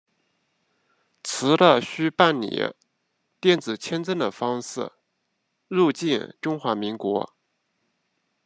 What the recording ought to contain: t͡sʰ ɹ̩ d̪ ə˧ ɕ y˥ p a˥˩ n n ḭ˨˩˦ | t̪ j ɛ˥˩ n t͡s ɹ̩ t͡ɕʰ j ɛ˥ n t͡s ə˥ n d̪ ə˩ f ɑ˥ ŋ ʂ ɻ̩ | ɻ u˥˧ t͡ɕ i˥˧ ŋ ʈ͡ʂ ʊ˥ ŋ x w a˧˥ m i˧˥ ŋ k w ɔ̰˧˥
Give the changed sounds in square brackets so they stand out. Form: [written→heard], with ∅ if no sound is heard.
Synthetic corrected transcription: t͡sʰ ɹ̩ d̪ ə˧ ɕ y˥ p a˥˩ n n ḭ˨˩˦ | t̪ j ɛ˥˩ n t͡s ɹ̩ t͡ɕʰ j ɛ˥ n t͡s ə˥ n d̪ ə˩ f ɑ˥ ŋ ʂ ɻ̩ | ɻ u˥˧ t͡ɕ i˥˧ [ŋ→n] ʈ͡ʂ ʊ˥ ŋ x w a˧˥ m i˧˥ ŋ k w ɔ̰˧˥

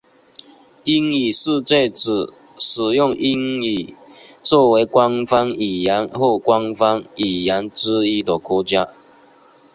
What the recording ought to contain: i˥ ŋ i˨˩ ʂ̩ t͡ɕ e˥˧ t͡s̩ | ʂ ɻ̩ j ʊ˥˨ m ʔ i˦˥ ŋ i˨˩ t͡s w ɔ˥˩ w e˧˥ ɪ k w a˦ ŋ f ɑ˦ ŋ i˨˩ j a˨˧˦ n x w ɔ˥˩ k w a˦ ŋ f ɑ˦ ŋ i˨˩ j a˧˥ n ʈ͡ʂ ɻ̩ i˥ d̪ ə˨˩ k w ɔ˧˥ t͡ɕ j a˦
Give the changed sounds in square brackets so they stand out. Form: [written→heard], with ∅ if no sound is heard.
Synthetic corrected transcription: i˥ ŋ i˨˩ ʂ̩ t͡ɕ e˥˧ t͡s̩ | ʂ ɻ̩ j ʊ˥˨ [m→ŋ] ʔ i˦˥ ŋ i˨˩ t͡s w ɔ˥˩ w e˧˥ ɪ k w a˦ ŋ f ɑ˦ ŋ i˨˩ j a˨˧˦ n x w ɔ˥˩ k w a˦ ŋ f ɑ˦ ŋ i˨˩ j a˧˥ n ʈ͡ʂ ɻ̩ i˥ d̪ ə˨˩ k w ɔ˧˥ t͡ɕ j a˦

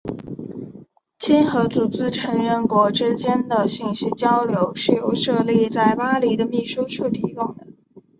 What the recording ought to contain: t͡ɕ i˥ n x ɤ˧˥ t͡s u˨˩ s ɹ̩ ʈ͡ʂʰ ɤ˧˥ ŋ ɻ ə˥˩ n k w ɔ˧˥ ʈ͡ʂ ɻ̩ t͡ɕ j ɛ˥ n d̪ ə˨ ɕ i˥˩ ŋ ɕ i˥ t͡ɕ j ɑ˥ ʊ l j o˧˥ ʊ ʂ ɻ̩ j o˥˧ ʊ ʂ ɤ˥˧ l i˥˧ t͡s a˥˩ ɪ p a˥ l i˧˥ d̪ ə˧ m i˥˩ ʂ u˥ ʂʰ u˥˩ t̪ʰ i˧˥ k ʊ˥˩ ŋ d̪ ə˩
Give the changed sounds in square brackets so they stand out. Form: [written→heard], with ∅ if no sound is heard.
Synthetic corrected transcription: t͡ɕ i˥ n x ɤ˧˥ t͡s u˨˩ [s→t͡s] ɹ̩ ʈ͡ʂʰ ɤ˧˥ ŋ ɻ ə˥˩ n k w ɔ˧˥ ʈ͡ʂ ɻ̩ t͡ɕ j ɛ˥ n d̪ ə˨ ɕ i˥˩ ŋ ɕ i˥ t͡ɕ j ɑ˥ ʊ l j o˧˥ ʊ ʂ ɻ̩ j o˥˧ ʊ ʂ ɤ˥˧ l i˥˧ t͡s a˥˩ ɪ p a˥ l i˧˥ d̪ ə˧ m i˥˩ ʂ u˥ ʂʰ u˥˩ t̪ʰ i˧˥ k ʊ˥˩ ŋ d̪ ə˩

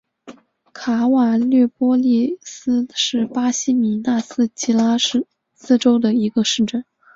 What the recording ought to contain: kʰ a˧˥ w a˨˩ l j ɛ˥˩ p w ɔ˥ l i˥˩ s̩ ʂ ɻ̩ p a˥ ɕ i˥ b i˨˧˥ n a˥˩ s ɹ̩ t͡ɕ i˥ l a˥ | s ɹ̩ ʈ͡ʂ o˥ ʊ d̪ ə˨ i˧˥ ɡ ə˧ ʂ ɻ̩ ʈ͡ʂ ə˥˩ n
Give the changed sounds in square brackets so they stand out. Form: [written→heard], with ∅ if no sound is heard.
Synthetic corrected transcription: kʰ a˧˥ w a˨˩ l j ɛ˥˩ p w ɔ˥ l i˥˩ s̩ ʂ ɻ̩ p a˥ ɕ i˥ [b→m] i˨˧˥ n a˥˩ s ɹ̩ t͡ɕ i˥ l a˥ | s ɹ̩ ʈ͡ʂ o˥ ʊ d̪ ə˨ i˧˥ ɡ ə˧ ʂ ɻ̩ ʈ͡ʂ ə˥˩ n

